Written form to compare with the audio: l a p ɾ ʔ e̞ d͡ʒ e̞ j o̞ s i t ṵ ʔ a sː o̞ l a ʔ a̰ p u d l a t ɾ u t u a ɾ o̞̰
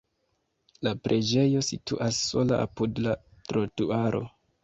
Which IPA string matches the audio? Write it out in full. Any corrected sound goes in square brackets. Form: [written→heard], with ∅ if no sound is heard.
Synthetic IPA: l a p ɾ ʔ e̞ d͡ʒ e̞ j o̞ s i t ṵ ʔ a sː o̞ l a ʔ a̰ p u d l a t ɾ [u→o] t u a ɾ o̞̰